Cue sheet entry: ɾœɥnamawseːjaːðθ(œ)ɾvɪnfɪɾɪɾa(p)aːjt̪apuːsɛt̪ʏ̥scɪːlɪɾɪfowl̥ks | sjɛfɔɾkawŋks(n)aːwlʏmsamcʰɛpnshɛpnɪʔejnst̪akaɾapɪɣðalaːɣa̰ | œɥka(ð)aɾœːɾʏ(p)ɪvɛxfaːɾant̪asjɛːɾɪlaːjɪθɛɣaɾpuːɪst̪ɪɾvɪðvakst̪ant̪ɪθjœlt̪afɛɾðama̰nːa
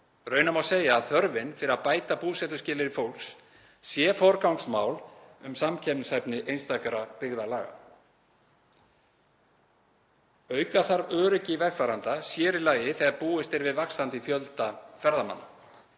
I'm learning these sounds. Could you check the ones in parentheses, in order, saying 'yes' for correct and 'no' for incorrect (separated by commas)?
yes, yes, no, no, no